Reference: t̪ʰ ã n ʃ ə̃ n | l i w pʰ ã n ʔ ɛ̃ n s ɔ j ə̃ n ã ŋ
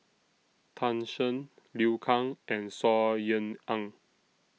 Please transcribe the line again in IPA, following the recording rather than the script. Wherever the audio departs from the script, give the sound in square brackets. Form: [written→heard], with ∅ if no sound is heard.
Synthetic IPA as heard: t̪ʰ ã n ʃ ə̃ n | l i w [pʰ→kʰ] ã [n→ŋ] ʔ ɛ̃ n s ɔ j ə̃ n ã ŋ